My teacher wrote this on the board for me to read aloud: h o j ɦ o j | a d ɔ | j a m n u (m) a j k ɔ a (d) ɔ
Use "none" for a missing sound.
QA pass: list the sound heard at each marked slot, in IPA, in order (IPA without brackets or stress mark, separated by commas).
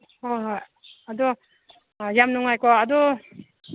ŋ, d